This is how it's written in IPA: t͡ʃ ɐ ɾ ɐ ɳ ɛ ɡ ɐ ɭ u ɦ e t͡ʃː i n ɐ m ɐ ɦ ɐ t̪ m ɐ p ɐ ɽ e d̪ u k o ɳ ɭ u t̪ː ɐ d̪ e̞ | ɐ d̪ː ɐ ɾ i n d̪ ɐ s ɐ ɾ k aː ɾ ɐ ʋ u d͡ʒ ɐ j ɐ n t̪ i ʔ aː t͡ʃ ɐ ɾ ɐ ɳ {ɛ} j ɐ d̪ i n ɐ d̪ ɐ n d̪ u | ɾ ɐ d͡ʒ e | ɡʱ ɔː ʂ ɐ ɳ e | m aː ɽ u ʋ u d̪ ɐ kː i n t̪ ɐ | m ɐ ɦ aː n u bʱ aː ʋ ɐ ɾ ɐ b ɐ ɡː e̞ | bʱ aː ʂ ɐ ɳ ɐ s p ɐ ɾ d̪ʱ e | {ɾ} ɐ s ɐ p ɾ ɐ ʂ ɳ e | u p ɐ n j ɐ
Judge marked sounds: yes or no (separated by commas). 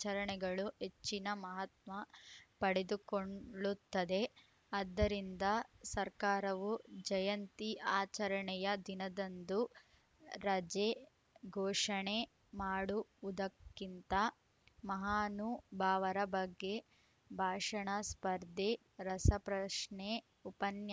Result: yes, yes